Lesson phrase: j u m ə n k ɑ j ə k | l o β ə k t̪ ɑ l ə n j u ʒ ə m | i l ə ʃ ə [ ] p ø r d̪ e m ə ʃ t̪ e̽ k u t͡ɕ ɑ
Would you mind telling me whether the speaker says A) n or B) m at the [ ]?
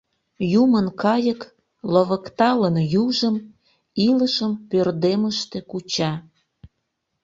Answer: B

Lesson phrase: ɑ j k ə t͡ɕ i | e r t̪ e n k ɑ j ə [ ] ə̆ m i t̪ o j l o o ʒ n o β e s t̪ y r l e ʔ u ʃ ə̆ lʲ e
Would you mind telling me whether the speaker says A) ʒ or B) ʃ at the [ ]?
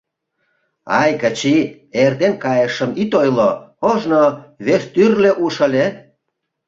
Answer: B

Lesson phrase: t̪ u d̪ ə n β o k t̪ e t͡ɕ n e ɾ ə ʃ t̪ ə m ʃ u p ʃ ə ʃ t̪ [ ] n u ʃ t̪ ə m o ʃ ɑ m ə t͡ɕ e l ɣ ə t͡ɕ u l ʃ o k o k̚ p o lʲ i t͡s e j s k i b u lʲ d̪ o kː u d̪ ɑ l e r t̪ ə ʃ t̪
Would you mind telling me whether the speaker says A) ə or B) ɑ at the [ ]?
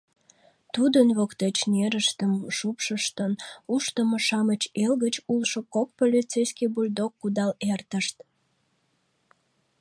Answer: A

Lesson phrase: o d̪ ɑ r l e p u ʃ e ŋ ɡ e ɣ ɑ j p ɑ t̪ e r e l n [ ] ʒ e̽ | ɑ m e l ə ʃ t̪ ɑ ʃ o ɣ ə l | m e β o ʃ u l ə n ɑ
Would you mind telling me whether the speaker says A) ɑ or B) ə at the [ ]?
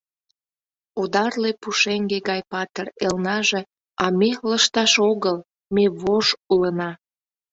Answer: A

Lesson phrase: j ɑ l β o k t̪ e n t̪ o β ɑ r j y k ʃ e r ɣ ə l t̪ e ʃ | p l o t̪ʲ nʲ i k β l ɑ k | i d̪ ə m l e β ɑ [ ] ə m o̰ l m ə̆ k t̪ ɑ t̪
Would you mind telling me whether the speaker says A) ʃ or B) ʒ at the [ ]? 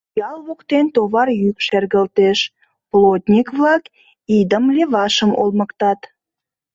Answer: A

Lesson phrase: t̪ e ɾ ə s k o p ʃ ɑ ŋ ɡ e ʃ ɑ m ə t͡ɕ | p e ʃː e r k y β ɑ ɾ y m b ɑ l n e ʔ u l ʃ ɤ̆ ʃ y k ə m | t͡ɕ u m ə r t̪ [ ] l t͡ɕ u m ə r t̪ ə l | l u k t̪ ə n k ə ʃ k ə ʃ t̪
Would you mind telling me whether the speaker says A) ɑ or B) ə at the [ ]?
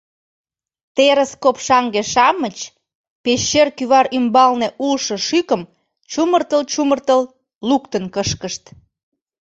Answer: B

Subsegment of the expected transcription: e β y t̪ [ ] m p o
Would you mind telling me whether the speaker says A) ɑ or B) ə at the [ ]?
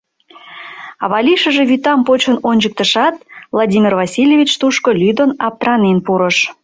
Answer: A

